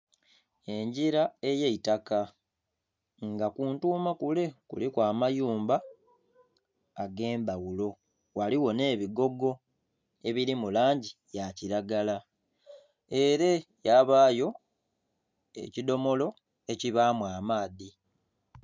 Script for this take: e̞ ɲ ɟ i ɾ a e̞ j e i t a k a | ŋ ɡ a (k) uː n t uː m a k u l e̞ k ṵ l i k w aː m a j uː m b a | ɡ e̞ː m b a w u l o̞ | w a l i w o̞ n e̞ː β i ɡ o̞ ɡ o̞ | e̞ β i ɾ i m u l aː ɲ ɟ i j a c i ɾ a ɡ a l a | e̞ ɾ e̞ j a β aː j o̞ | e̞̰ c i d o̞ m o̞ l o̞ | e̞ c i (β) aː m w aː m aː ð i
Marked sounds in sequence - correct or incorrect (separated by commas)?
correct, correct